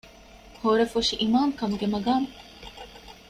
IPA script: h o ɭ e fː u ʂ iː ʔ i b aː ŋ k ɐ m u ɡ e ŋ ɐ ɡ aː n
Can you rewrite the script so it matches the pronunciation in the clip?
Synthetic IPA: h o ɾ e f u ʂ i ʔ i m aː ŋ k ɐ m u ɡ e m ɐ ɡ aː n